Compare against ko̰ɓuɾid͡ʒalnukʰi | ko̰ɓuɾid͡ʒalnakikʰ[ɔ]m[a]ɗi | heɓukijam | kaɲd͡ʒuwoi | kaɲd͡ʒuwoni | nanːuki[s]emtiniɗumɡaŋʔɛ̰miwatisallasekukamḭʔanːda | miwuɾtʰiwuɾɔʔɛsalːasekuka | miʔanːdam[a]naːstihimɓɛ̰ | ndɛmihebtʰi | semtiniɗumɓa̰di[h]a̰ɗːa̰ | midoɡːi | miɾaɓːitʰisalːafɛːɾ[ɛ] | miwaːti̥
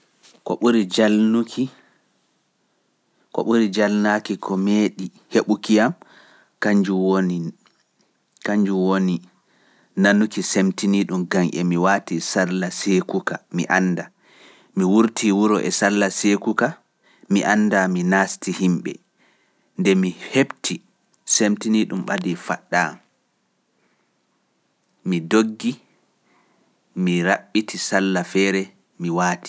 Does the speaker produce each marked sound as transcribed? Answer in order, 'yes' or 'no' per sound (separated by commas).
yes, no, yes, no, no, yes